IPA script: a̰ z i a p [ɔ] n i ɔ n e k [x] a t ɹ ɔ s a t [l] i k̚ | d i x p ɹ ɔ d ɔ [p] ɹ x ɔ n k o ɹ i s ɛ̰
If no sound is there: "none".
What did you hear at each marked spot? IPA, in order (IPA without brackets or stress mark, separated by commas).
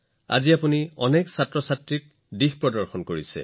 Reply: u, s, ɹ, none